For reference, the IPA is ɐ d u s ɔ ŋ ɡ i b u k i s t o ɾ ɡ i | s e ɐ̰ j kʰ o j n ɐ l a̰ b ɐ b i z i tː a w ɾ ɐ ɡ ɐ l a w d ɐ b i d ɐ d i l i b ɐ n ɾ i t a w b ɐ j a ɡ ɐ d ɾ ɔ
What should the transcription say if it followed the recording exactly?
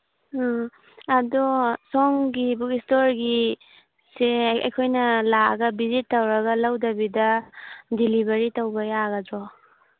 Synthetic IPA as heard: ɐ d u s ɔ ŋ ɡ i b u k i s t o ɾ ɡ i | s e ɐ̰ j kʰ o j n ɐ l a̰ ɡ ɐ b i z i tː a w ɾ ɐ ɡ ɐ l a w d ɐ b i d ɐ d i l i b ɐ ɾ i t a w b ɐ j a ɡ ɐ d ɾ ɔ